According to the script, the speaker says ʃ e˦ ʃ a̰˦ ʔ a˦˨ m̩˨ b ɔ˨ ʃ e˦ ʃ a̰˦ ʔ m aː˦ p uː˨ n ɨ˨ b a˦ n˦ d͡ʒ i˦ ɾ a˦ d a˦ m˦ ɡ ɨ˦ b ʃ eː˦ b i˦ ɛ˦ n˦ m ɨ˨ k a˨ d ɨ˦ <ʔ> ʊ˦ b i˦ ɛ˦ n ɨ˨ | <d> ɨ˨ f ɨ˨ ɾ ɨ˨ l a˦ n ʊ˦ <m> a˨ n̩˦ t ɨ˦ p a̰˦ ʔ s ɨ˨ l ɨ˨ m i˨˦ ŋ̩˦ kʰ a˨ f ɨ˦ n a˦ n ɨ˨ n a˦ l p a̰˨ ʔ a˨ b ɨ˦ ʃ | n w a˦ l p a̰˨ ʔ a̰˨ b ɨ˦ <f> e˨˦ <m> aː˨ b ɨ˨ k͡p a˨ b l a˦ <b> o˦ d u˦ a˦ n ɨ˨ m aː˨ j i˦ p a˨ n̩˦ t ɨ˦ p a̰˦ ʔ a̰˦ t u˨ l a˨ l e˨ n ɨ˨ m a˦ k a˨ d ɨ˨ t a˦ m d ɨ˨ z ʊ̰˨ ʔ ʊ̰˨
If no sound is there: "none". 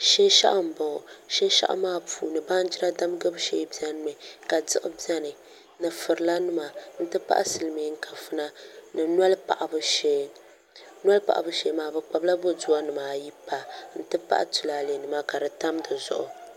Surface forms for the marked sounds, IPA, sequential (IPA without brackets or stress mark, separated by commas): ʔ, n, m, ʃ, m, b